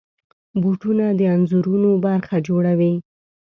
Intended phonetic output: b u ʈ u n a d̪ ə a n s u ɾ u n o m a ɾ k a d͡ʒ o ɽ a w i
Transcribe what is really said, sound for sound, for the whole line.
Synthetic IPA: b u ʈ u n a d̪ ə a n z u ɾ u n o b a ɾ x a d͡ʒ o ɽ a w i